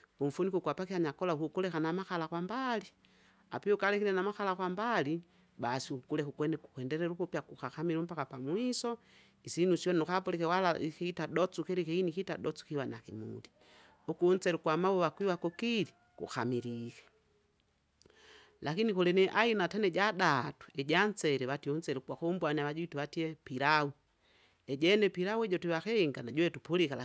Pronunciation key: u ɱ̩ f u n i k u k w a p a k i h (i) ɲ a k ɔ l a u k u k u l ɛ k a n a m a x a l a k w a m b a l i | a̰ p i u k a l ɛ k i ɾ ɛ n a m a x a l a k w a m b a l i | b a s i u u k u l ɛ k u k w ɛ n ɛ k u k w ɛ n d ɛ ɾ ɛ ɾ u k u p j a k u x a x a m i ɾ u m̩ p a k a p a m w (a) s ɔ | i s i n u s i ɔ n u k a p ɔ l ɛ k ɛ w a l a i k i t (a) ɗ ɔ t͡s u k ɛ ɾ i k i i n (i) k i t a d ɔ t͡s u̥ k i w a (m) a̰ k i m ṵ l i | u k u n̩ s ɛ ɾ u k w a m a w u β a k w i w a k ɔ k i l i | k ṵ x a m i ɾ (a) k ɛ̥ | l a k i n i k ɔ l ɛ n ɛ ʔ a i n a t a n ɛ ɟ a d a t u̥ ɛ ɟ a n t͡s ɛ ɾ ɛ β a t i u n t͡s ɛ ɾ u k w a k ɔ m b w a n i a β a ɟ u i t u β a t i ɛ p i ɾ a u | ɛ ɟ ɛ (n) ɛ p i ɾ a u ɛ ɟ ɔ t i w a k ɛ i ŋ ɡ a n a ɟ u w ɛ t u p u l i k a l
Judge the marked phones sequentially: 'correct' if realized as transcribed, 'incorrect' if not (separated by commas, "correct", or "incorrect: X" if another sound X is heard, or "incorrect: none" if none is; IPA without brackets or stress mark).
incorrect: a, incorrect: i, correct, correct, incorrect: n, incorrect: i, correct